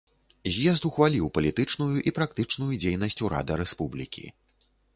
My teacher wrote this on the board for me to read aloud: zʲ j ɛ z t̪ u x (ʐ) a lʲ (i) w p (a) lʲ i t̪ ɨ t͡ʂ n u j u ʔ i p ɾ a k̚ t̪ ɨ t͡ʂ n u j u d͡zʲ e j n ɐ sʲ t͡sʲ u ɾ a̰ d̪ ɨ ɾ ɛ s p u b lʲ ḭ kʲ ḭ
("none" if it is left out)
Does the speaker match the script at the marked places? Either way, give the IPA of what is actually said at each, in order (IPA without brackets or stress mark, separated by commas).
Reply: v, i, ɐ